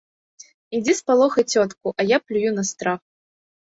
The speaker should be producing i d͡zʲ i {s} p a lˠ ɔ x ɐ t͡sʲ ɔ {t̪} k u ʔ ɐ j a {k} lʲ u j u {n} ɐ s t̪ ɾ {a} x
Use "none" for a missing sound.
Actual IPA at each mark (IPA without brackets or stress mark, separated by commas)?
s, t̪, p, n, a